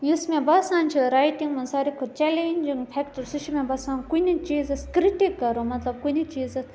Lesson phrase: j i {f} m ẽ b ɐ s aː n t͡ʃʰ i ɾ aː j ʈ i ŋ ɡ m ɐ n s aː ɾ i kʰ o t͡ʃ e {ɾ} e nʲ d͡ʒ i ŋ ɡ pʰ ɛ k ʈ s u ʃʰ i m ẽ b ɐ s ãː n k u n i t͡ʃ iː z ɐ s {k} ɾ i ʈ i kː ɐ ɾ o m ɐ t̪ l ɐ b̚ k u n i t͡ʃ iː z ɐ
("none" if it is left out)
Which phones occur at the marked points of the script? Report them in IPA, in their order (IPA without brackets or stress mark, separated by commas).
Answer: s, l, k